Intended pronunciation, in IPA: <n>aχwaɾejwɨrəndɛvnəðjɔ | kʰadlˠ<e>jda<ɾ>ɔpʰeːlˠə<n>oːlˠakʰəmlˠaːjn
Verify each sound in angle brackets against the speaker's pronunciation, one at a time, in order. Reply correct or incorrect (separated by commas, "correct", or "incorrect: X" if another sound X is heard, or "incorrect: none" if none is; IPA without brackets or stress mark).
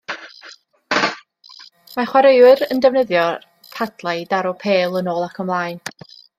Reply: incorrect: m, incorrect: a, correct, correct